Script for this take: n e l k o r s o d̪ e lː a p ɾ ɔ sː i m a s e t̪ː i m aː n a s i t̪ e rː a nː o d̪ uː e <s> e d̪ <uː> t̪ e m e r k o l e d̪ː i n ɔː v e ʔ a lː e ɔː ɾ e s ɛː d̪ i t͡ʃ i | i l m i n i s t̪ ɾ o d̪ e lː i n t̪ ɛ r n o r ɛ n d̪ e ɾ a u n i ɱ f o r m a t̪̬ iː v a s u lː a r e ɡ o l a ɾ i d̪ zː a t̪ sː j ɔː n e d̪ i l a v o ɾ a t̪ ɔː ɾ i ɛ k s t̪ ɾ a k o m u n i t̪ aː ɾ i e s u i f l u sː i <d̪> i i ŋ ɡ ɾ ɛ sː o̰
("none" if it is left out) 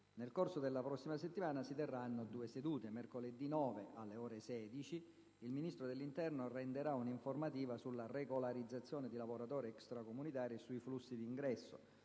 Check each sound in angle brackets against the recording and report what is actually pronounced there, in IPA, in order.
s, uː, d̪

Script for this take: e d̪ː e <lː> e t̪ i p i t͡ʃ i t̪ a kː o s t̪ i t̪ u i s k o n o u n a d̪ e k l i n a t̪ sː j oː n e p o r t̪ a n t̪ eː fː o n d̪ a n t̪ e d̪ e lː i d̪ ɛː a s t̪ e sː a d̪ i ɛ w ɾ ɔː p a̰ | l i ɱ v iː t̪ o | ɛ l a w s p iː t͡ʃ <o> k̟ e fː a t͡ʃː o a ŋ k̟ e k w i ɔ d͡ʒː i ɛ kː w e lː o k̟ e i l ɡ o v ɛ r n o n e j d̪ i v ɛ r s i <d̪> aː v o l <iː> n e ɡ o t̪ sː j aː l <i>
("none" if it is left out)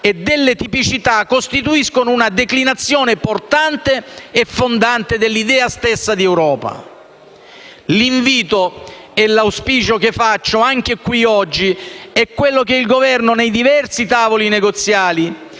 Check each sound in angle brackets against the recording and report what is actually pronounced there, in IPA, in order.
lː, o, t̪, i, i

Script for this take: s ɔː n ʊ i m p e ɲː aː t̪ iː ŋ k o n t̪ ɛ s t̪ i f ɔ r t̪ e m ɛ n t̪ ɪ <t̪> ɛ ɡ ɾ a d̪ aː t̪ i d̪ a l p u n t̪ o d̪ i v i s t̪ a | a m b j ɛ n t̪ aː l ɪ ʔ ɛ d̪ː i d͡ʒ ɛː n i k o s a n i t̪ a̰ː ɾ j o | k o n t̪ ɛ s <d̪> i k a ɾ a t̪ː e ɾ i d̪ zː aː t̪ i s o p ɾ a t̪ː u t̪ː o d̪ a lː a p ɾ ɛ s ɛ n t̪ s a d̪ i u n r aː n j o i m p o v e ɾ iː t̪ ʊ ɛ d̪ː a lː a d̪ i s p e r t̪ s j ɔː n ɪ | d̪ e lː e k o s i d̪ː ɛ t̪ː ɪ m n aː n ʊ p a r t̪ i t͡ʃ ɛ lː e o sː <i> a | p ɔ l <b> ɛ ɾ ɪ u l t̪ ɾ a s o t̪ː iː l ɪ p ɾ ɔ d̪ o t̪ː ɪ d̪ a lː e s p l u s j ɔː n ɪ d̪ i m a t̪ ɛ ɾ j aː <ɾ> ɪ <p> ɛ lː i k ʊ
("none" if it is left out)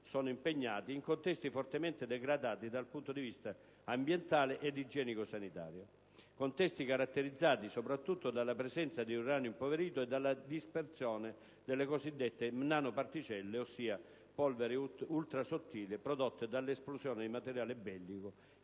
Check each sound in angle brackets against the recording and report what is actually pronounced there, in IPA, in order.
d̪, t̪, iː, v, l, b

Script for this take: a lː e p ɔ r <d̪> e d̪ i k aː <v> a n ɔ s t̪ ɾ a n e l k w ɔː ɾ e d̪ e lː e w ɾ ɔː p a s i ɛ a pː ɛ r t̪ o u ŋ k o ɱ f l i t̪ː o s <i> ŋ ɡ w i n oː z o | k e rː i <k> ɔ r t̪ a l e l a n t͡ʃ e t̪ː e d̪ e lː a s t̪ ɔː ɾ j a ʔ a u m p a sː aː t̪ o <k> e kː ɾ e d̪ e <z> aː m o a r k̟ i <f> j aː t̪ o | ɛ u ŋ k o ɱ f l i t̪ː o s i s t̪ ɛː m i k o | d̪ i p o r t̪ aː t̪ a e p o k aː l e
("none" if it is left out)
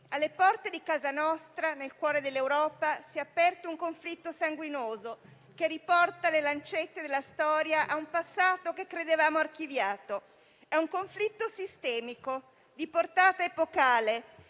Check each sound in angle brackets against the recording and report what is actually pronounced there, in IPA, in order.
t̪, z, a, p, k, v, v

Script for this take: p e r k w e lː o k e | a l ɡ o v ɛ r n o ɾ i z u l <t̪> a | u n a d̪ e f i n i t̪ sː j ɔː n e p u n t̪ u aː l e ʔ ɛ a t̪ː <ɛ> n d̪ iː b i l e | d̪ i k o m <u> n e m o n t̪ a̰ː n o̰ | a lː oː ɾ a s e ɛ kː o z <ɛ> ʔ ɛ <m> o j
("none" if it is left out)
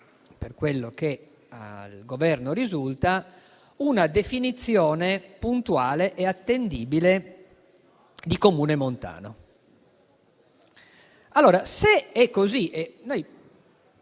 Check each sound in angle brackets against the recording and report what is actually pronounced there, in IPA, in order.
t̪, e, uː, i, n

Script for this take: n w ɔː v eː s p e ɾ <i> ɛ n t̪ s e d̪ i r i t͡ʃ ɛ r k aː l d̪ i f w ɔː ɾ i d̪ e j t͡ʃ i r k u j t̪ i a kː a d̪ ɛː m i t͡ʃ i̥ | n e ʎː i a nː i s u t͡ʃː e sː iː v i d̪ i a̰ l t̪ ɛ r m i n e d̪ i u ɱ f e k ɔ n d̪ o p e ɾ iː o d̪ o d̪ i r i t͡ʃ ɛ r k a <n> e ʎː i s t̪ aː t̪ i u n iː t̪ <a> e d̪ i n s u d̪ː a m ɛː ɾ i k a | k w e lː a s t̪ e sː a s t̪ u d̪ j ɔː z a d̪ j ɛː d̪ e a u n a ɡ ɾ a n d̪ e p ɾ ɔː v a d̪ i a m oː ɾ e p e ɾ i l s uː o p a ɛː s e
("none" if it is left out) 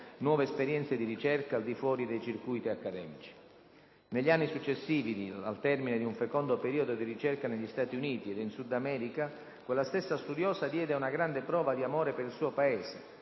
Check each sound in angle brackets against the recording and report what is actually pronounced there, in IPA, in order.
j, n, i

